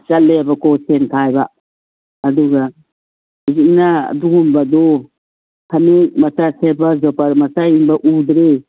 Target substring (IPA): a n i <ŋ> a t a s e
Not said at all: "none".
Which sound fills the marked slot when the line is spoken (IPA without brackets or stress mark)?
m